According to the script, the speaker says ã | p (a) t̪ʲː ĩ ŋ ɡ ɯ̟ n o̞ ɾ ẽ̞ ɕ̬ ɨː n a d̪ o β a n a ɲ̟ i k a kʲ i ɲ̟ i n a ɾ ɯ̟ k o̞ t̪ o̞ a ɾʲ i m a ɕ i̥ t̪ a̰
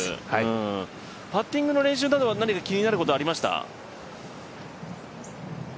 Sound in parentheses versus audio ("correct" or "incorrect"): correct